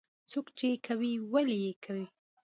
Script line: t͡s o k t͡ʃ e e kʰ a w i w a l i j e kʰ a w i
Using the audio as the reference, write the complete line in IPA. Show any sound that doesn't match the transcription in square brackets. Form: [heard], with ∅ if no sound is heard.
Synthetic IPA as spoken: t͡s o k t͡ʃ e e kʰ a w i w a l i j e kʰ a w i